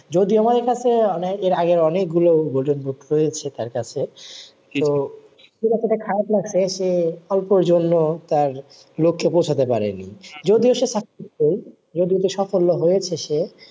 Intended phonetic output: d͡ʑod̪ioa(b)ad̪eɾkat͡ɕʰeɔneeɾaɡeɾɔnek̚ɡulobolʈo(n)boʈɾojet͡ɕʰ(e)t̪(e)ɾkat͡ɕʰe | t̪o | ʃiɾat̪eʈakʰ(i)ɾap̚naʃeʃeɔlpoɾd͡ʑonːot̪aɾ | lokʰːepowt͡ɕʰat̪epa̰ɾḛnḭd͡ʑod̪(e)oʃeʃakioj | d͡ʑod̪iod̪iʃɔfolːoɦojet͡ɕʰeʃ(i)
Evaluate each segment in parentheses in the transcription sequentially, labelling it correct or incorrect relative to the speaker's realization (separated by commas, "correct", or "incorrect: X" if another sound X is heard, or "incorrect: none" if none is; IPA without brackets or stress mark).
incorrect: m, correct, correct, incorrect: a, incorrect: a, incorrect: i, incorrect: e